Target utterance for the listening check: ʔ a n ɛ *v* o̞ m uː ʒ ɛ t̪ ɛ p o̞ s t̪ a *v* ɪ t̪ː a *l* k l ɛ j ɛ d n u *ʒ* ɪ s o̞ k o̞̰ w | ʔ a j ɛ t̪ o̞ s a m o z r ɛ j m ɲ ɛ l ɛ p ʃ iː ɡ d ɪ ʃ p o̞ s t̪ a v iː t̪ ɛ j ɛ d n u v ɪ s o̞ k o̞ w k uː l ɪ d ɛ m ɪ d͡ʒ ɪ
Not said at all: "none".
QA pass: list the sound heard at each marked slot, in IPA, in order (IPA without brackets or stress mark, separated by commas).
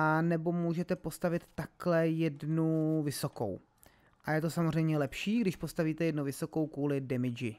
b, v, none, v